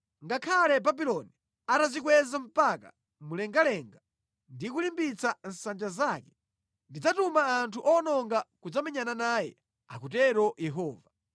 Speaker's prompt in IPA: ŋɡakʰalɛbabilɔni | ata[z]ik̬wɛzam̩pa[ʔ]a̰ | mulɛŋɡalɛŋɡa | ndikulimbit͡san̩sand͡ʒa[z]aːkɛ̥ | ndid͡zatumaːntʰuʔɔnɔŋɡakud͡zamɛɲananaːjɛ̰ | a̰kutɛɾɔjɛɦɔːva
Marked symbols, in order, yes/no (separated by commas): yes, no, yes